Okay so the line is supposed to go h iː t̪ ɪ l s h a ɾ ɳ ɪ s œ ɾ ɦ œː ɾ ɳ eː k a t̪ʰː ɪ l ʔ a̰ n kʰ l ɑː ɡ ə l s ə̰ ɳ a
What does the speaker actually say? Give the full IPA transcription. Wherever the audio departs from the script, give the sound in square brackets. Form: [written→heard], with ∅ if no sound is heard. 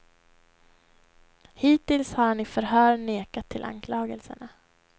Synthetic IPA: h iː t̪ ɪ l s h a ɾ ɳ ɪ [s→f] œ ɾ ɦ œː ɾ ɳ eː k a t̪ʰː ɪ l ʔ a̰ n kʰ l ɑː ɡ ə l s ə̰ ɳ a